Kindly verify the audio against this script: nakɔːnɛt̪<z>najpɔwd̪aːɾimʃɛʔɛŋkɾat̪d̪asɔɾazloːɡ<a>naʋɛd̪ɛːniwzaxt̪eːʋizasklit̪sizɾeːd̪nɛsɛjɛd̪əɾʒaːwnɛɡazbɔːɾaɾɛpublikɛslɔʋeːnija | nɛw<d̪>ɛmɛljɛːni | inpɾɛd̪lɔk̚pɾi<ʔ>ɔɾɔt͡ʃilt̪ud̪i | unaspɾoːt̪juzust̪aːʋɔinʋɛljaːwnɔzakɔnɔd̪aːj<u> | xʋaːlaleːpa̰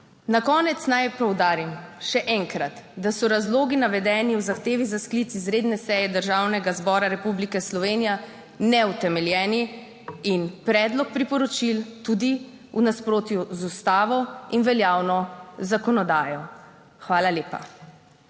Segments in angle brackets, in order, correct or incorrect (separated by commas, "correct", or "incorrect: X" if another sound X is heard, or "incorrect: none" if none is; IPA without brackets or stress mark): incorrect: s, incorrect: i, incorrect: t̪, incorrect: p, incorrect: ɔ